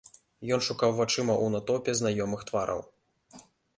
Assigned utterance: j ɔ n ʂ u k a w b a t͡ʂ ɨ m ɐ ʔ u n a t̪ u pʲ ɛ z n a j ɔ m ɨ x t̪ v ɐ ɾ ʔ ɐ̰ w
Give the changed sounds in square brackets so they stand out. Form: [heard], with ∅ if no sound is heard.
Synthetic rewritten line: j ɔ n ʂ u k a w [v] a t͡ʂ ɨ m ɐ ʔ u n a t̪ [ɔ] pʲ ɛ z n a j ɔ m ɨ x t̪ v [a] ɾ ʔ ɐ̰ w